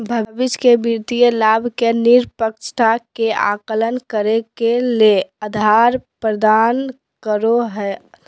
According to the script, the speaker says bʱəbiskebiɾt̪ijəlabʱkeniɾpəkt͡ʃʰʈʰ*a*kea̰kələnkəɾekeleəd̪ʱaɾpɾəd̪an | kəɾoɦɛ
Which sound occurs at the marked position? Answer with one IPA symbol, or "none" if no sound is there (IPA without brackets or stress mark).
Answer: a